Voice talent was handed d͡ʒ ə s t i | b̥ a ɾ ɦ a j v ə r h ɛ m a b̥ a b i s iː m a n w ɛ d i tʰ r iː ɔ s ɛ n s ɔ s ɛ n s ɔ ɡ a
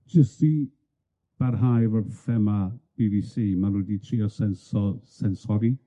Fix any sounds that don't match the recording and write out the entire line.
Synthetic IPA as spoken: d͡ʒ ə s t i | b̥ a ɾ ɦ a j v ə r f ɛ m a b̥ i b i s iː m a n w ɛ d i tʰ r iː ɔ s ɛ n s ɔ s ɛ n s ɔ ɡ i